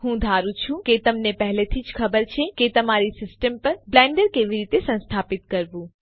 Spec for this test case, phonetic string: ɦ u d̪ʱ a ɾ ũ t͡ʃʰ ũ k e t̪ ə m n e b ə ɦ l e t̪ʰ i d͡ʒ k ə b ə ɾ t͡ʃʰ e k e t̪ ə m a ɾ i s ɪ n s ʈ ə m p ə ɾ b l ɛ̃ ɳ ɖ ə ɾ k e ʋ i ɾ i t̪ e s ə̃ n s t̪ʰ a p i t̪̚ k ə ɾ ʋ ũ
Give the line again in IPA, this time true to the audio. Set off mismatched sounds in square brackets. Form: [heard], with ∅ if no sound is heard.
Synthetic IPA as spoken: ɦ [ũ] d̪ʱ a ɾ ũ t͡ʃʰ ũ k e t̪ ə m n e [p] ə ɦ l e t̪ʰ i d͡ʒ [kʰ] ə b ə ɾ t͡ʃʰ e k e t̪ ə m a ɾ i s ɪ [∅] s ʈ ə m p ə ɾ b l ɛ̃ ɳ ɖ ə ɾ k e ʋ i ɾ i t̪ e s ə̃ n s t̪ʰ a p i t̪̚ k ə ɾ ʋ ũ